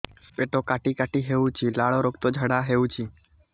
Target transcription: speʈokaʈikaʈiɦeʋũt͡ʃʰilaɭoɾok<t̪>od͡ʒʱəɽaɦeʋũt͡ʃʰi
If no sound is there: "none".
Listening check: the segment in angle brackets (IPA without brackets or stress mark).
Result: t̪